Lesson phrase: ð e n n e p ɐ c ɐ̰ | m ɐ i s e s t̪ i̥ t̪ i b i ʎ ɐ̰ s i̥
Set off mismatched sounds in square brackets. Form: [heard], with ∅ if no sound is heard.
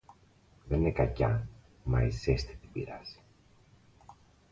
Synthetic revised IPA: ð e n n e [k] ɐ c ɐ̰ | m ɐ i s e s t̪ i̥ t̪ i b i [ɾ] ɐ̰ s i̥